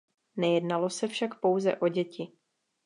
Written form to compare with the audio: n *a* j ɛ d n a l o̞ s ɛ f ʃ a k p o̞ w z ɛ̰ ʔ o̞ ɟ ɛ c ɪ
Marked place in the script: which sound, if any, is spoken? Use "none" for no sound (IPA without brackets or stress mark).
ɛ